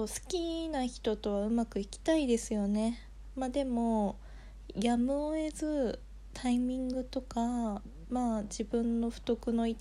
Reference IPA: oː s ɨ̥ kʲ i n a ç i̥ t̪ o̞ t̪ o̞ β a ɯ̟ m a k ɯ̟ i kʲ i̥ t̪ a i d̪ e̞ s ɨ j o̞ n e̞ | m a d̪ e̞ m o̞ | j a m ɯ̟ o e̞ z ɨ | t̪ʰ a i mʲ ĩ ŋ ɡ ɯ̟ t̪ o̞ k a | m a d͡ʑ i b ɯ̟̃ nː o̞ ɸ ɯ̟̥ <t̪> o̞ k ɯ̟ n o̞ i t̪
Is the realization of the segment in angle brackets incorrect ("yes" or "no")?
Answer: no